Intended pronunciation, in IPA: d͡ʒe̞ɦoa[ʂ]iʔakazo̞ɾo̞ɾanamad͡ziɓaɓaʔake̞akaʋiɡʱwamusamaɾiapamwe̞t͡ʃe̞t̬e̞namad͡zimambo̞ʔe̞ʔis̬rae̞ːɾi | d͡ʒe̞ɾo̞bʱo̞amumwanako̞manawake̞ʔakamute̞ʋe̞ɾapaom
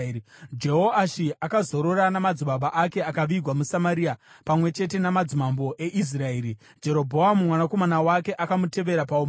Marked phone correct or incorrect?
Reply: incorrect